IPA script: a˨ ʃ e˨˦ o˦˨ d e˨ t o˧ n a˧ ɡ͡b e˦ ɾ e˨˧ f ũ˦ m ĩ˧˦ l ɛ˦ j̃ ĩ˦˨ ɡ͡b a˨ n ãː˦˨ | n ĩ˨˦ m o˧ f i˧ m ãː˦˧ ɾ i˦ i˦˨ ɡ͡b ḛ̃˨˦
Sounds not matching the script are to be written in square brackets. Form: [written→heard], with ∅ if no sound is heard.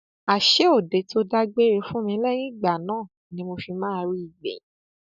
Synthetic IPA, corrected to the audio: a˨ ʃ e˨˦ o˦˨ d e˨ t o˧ [n→d] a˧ ɡ͡b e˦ ɾ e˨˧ f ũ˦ m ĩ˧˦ l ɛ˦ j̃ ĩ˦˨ ɡ͡b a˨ n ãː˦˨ | n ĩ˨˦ m o˧ f i˧ m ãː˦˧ ɾ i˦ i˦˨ ɡ͡b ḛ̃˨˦